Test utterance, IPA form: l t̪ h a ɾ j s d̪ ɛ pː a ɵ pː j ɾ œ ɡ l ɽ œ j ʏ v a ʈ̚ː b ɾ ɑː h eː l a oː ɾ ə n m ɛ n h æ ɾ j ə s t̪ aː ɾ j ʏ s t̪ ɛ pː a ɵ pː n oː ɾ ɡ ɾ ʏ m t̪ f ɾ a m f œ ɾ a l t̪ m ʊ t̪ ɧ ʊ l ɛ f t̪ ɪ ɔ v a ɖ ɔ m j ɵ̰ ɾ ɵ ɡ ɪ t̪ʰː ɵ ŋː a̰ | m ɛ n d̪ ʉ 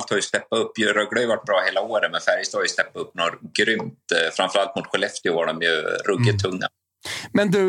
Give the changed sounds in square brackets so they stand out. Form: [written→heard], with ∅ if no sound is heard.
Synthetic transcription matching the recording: l t̪ h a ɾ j s [d̪→t̪] ɛ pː a ɵ pː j ɾ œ ɡ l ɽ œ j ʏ v a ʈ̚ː b ɾ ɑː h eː l a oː ɾ ə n m ɛ n [h→f] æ ɾ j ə s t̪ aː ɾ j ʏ s t̪ ɛ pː a ɵ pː n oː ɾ ɡ ɾ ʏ m t̪ f ɾ a m f œ ɾ a l t̪ m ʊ t̪ ɧ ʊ l ɛ f t̪ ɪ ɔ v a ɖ ɔ m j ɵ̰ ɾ ɵ ɡ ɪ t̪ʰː ɵ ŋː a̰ | m ɛ n d̪ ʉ